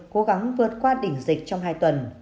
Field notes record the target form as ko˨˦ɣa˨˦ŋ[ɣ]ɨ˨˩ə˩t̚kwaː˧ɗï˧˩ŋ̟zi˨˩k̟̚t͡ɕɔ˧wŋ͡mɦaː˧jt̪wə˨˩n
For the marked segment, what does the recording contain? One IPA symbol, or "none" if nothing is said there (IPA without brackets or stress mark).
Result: v